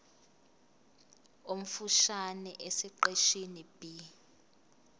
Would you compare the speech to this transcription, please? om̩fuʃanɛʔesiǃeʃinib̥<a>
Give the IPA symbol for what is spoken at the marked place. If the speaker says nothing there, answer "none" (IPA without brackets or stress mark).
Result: i